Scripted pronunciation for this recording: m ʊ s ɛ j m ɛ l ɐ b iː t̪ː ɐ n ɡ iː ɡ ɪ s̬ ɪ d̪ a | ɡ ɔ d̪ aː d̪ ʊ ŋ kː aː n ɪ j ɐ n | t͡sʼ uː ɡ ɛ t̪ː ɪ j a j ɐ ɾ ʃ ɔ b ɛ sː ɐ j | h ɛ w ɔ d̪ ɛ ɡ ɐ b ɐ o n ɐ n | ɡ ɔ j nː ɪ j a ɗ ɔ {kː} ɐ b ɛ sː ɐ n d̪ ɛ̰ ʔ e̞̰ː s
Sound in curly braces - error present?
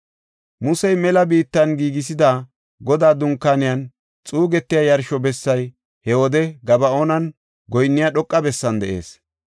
yes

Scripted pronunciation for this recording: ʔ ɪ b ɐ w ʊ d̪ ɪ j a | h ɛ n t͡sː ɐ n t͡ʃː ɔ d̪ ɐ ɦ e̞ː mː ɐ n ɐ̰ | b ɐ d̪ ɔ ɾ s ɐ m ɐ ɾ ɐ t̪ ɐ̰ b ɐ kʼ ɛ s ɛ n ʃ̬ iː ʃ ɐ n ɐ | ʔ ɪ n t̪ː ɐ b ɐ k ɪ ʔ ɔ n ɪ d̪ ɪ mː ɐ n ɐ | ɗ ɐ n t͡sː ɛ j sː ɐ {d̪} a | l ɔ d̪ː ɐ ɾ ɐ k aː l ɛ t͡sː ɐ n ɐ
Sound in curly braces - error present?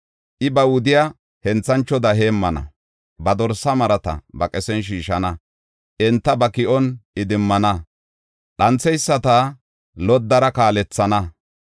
yes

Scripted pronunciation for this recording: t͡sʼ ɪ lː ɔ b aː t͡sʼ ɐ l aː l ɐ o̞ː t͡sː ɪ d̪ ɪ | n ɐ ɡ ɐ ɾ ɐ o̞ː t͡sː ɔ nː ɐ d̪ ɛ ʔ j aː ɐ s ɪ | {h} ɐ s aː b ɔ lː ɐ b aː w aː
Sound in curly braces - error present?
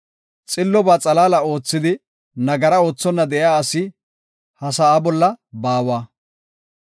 no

